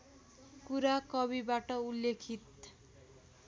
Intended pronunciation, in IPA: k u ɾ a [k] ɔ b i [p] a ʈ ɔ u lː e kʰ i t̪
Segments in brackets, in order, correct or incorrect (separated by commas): correct, incorrect